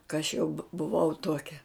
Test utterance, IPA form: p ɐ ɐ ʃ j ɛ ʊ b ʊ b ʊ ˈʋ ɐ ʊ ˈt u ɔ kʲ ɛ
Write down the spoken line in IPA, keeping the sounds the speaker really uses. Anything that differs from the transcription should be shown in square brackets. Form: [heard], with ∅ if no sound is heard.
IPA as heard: [k] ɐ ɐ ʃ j ɛ ʊ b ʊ b ʊ ˈʋ ɐ ʊ ˈt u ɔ kʲ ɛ